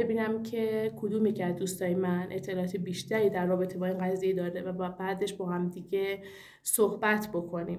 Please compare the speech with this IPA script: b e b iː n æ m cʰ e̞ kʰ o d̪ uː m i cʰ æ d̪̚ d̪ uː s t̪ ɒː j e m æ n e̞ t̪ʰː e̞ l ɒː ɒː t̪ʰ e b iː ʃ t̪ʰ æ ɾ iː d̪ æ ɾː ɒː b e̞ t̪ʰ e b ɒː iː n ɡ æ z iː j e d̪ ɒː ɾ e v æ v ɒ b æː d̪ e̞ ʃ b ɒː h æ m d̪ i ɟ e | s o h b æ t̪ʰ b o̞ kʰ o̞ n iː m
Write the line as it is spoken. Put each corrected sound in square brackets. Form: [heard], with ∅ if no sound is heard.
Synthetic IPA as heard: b e b iː n æ m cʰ e̞ kʰ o d̪ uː m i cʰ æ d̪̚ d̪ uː s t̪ ɒː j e m æ n e̞ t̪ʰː e̞ l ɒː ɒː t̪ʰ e b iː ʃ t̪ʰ æ ɾ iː d̪ æ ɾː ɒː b e̞ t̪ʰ e b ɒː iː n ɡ æ z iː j e d̪ ɒː ɾ e v æ [b] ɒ b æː d̪ e̞ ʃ b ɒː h æ m d̪ i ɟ e | s o h b æ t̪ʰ b o̞ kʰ o̞ n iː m